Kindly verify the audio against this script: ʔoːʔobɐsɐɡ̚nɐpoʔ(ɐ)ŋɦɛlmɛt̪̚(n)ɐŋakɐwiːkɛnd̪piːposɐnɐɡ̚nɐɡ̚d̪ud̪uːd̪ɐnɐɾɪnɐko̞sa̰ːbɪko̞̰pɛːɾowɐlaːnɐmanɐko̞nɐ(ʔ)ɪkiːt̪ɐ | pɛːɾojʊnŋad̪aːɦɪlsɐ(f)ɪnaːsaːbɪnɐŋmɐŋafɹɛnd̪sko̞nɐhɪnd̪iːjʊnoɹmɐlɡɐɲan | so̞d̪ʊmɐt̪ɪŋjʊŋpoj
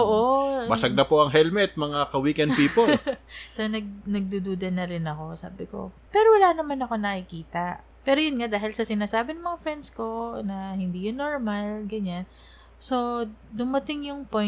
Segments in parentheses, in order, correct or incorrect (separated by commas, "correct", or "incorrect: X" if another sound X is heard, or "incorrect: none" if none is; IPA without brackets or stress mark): correct, incorrect: m, incorrect: k, incorrect: s